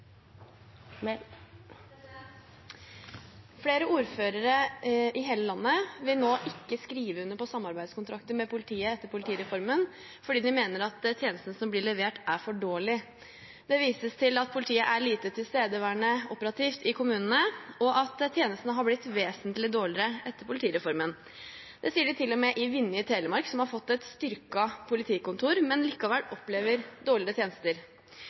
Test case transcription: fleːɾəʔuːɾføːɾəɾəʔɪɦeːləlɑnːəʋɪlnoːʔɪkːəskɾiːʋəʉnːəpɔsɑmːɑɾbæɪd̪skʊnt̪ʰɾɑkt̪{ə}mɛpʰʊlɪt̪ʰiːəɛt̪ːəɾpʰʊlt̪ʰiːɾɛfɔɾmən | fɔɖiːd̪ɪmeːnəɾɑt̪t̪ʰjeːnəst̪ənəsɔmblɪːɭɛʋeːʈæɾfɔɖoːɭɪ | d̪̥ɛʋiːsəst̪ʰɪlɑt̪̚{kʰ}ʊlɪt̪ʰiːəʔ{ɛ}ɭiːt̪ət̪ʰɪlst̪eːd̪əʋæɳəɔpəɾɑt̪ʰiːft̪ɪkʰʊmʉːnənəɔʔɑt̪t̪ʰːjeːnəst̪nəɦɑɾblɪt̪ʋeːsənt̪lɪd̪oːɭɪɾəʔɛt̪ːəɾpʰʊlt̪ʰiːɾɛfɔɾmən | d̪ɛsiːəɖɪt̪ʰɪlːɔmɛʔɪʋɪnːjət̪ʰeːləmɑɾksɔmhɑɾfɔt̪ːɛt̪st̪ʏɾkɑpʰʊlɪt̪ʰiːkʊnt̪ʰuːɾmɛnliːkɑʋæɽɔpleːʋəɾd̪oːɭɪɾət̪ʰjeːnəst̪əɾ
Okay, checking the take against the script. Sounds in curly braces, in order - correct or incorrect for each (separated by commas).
correct, incorrect, incorrect